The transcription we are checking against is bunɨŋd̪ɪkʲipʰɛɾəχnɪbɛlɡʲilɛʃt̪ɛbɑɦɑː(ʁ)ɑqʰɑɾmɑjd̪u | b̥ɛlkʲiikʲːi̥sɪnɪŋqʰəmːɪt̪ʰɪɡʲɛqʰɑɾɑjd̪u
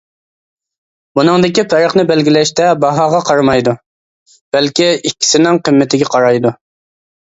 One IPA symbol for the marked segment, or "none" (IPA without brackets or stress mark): ʁ